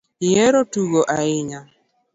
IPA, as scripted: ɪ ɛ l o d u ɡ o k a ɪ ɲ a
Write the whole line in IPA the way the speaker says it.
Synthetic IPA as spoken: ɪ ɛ ɾ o t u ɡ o ʔ a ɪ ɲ a